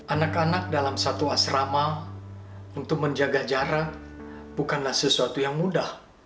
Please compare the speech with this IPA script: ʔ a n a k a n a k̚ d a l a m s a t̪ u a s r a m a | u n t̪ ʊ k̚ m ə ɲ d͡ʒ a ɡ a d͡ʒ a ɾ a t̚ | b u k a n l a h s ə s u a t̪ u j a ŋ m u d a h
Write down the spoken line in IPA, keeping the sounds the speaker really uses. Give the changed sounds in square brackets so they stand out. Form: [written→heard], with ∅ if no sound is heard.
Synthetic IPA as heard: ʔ a n a k a n a k̚ d a l a m s a t̪ u a s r a m a | u n t̪ ʊ k̚ m ə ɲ d͡ʒ a ɡ a d͡ʒ a ɾ a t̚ | b u k a n l a h s ə s u a t̪ u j a ŋ m u d a h